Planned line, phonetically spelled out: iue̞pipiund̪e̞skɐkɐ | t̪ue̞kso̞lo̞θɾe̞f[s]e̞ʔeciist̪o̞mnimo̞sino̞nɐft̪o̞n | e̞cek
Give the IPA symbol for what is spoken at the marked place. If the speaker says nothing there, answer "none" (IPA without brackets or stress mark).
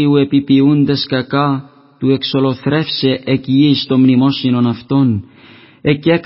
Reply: s